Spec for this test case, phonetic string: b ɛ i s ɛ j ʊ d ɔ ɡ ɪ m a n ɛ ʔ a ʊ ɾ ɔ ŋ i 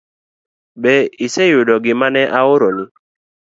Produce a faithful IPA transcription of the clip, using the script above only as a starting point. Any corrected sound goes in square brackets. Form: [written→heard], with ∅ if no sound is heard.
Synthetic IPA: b ɛ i s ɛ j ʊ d ɔ ɡ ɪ m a n ɛ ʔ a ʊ ɾ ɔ [ŋ→n] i